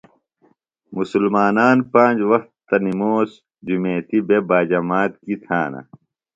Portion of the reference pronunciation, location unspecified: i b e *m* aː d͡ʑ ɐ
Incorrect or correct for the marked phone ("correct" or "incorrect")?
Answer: incorrect